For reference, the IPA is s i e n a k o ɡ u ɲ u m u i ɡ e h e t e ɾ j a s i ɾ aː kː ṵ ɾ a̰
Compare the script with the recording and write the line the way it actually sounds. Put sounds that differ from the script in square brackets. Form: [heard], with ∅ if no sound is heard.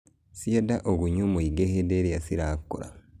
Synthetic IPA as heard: s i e [d] a [ʔ] o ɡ u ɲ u m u i ɡ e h e [d] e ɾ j a s i ɾ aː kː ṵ ɾ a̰